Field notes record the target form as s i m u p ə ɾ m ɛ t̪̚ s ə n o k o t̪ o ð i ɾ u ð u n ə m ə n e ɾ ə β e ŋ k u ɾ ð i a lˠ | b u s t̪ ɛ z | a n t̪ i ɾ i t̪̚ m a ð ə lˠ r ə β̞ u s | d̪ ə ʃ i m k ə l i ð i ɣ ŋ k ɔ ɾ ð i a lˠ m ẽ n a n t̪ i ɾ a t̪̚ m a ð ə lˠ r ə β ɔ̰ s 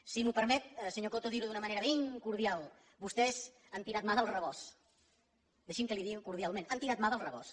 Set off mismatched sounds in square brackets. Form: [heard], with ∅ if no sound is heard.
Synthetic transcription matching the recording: s i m u p ə ɾ m ɛ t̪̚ s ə [ɲ] o k o t̪ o ð i ɾ u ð u n ə m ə n e ɾ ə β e ŋ k u ɾ ð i a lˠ | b u s t̪ ɛ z | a n t̪ i ɾ [a] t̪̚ m a ð ə lˠ r ə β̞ [ɔ] s | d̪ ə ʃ i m k ə l i ð i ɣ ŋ k [u] ɾ ð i a lˠ m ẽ n a n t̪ i ɾ a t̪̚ m a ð ə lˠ r ə β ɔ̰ s